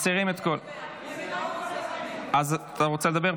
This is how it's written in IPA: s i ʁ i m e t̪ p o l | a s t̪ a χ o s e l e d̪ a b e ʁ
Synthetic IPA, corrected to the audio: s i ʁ i m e t̪ k o l | a z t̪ a ʁ o t͡s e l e d̪ a b e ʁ